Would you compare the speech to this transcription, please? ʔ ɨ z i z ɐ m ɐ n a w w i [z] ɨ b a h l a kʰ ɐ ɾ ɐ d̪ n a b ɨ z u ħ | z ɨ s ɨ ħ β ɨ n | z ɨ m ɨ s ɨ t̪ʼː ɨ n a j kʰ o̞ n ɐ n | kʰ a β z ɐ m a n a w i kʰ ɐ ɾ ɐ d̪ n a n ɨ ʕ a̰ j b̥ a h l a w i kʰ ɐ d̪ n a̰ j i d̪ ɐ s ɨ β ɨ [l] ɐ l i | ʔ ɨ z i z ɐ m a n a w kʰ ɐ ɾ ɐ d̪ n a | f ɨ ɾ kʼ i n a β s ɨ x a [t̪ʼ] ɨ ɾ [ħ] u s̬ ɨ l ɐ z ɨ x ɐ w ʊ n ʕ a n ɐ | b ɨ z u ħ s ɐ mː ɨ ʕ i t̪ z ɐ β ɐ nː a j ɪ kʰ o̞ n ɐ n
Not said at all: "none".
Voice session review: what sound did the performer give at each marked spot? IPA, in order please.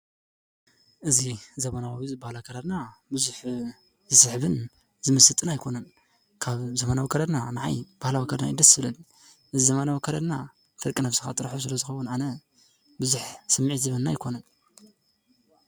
z, l, t̪ʼ, ħ

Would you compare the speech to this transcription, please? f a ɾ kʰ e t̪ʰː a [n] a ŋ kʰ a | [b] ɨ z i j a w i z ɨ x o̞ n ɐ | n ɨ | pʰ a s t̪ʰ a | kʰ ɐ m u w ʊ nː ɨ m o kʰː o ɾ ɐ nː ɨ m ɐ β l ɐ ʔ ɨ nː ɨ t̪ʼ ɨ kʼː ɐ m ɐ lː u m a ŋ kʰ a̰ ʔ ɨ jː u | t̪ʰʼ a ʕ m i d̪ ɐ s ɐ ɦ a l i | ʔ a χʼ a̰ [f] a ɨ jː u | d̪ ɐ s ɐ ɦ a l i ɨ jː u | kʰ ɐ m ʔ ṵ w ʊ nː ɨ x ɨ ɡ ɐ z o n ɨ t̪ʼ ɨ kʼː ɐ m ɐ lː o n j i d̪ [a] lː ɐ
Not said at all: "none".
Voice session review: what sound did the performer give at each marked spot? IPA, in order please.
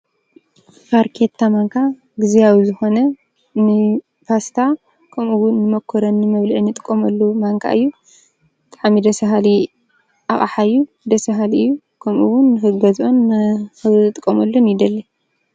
m, ɡ, ħ, ɐ

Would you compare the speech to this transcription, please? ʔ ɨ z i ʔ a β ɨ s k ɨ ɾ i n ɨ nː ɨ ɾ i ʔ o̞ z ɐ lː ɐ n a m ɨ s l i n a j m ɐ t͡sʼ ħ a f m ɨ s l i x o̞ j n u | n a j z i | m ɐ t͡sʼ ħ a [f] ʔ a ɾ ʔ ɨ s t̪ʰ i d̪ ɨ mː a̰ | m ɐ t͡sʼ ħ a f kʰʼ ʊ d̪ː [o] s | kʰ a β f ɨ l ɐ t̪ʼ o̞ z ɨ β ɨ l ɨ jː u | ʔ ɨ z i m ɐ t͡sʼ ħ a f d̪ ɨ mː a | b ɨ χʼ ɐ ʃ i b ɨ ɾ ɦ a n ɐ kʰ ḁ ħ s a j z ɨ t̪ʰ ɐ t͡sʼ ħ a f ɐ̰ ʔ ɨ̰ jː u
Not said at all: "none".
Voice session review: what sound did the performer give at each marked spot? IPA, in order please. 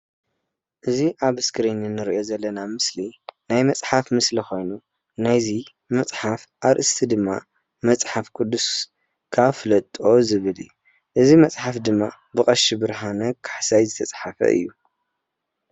f, u

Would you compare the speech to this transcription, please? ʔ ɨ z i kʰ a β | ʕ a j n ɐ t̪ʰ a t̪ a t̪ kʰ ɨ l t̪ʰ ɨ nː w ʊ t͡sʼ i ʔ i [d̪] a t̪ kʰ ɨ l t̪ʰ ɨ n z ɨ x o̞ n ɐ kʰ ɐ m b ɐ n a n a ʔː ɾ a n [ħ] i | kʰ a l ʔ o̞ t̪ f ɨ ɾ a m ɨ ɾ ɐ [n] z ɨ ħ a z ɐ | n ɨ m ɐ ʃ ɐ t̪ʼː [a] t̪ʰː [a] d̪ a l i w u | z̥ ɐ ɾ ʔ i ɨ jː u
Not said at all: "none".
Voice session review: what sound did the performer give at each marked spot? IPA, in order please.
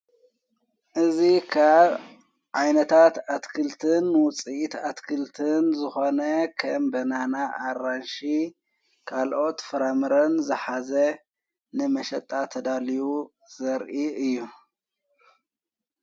t̪, ʃ, n, a, ɐ

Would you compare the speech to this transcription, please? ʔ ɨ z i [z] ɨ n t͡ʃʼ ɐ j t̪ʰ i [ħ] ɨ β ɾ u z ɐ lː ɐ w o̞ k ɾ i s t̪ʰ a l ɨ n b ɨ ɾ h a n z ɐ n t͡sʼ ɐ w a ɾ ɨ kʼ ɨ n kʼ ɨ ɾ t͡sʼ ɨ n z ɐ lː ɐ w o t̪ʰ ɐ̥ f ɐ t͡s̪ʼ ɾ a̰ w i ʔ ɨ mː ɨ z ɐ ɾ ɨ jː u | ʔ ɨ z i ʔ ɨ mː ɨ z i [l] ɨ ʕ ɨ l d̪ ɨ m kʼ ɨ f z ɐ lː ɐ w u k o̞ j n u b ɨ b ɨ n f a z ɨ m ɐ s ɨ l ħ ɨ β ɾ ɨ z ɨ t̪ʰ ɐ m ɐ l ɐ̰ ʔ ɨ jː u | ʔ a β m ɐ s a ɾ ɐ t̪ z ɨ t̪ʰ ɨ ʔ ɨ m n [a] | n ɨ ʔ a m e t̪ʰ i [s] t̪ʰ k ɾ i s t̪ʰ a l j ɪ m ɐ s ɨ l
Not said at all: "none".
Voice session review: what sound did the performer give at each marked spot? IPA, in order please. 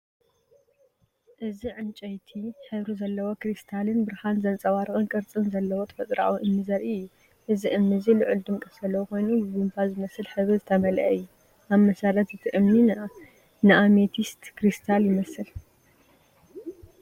ʕ, ħ, l, i, s

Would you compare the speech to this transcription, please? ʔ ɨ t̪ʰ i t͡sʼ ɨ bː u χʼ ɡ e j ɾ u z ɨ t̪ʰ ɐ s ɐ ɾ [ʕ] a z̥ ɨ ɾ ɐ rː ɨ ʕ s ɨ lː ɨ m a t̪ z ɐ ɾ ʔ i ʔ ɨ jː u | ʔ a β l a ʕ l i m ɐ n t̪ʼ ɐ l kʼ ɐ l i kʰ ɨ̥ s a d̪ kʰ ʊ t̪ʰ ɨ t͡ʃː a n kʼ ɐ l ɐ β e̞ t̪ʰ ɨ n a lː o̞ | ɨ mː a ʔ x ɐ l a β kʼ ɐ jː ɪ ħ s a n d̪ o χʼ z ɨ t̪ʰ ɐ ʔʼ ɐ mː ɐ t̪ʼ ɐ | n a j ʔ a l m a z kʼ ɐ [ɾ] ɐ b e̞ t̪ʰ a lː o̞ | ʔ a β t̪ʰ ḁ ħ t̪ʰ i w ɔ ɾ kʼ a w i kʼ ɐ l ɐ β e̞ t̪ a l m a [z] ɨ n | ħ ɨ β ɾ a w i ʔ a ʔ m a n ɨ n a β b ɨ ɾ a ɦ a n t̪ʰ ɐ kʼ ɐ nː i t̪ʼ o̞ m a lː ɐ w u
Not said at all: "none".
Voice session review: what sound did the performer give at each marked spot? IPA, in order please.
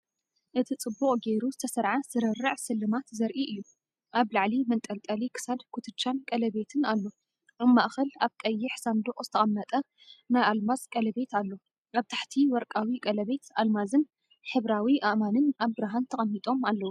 ʕ, l, z

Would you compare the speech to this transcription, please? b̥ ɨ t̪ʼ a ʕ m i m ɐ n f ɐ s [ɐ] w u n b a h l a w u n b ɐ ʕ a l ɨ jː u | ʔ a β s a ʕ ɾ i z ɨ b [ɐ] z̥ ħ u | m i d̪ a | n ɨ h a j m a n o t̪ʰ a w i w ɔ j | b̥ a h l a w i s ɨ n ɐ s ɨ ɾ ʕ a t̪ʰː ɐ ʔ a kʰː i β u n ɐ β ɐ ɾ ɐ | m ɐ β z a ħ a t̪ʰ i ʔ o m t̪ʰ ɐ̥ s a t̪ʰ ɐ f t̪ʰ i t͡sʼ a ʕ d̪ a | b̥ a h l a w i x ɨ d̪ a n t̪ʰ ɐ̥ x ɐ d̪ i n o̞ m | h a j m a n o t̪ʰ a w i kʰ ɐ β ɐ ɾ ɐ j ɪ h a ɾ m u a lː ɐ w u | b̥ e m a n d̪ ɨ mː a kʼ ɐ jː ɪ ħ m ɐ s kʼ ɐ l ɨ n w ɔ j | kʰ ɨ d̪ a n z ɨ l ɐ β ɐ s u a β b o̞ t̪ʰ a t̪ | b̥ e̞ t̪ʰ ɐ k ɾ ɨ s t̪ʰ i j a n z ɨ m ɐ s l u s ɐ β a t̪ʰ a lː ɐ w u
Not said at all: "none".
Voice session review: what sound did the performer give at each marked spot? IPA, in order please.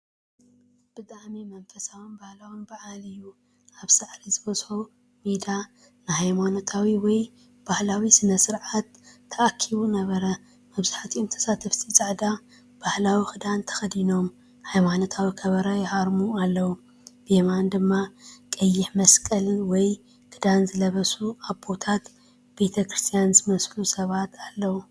a, ɐ

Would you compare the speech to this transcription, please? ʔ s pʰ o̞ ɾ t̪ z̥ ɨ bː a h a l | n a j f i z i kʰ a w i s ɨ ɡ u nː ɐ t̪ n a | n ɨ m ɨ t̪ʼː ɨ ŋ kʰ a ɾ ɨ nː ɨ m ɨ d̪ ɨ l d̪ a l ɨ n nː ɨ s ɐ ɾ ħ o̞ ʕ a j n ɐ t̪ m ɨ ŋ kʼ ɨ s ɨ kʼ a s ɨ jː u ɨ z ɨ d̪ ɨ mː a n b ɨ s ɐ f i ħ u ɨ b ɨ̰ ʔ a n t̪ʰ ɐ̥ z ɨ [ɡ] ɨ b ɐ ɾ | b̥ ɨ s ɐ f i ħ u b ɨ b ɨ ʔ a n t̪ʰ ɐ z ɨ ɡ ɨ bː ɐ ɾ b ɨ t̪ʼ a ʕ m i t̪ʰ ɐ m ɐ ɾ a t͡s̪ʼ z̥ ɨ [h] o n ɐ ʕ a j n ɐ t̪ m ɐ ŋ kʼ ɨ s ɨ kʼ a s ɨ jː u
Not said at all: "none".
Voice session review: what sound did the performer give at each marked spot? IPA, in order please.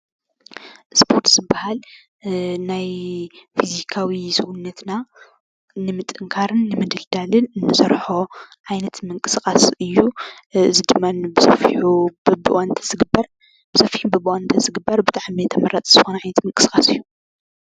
ɡ, x

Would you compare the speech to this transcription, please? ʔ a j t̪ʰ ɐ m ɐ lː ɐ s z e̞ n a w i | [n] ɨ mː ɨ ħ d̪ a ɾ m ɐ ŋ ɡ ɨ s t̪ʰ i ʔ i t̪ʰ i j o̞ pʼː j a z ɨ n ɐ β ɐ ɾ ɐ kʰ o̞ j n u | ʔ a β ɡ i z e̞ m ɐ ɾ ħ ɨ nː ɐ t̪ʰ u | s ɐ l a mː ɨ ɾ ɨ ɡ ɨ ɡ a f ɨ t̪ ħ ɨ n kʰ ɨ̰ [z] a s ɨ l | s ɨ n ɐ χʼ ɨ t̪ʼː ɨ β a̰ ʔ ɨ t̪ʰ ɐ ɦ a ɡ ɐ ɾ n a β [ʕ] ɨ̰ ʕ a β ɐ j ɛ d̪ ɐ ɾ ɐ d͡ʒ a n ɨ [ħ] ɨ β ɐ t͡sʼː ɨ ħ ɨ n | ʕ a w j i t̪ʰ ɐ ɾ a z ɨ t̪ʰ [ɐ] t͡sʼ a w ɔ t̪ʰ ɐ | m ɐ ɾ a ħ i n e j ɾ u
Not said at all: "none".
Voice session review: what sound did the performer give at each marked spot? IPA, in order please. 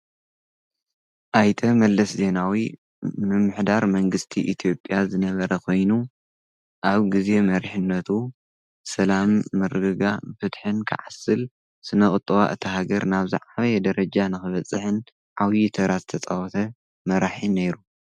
m, ʕ, z, x, ɐ

